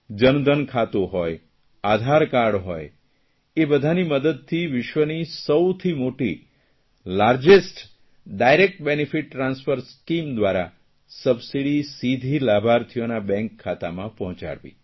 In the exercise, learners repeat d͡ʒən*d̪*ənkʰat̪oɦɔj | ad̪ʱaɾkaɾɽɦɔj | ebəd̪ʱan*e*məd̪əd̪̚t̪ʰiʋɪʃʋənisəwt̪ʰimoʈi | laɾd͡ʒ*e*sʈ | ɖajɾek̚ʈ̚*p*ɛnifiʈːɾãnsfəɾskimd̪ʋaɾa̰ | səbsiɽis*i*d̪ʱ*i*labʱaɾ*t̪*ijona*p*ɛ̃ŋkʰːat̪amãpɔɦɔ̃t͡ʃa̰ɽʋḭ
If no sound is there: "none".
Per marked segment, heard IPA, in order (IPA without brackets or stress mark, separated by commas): d̪, i, e, b, i, i, t̪ʰ, b